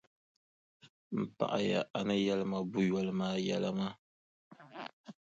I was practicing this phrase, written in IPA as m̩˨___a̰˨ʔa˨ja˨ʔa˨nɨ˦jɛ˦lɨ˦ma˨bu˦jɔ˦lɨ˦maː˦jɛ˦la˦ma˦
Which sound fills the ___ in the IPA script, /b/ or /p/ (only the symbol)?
p